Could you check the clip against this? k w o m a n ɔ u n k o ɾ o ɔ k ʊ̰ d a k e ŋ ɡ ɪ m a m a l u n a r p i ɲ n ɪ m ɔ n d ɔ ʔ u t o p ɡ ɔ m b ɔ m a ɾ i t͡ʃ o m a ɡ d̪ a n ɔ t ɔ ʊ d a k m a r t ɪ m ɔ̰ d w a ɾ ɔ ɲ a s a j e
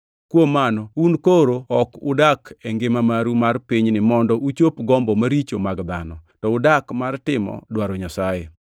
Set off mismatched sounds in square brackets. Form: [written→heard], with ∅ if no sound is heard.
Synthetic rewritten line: k w o m a n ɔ u n k o ɾ o ɔ k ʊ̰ d a k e ŋ ɡ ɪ m a m a [l→ɾ] u [n→m] a r p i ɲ n ɪ m ɔ n d ɔ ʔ u [t→t͡ʃ] o p ɡ ɔ m b ɔ m a ɾ i t͡ʃ o m a ɡ d̪ a n ɔ t ɔ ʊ d a k m a r t ɪ m ɔ̰ d w a ɾ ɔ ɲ a s a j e